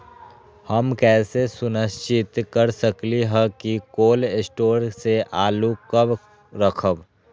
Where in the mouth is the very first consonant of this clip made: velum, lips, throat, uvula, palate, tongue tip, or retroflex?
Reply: throat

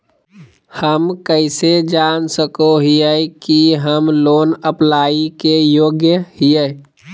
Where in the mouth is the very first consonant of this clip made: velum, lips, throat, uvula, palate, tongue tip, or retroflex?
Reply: throat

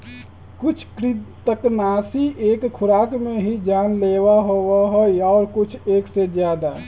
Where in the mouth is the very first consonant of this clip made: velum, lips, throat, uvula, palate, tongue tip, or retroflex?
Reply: velum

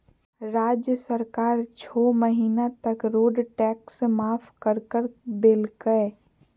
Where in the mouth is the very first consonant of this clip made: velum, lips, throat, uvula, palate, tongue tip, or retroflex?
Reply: tongue tip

